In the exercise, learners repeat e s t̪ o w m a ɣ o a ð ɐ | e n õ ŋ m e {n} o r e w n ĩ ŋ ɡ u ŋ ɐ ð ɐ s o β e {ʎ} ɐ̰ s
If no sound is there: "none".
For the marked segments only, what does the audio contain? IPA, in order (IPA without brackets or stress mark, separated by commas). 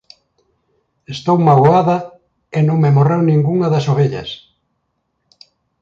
m, ʎ